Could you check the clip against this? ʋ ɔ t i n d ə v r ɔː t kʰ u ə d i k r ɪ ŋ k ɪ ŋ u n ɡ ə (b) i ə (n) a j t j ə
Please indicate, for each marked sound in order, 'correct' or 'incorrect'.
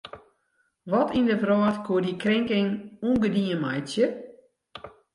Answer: incorrect, incorrect

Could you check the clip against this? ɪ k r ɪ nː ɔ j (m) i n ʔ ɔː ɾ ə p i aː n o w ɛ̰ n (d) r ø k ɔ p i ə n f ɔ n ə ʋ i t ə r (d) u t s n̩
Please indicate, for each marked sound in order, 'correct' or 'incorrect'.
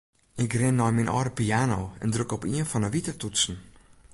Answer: correct, correct, incorrect

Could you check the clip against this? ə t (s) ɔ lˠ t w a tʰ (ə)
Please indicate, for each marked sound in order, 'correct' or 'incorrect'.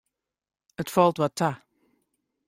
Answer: incorrect, incorrect

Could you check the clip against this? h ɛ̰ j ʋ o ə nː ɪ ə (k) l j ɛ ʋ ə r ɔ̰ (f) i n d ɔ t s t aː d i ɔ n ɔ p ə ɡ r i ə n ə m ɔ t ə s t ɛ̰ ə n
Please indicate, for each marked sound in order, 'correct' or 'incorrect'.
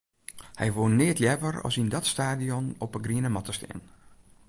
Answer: incorrect, incorrect

